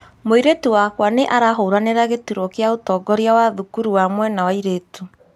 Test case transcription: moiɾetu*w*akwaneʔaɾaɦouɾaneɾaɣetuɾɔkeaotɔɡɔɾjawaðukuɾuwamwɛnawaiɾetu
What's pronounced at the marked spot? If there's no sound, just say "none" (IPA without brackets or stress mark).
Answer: w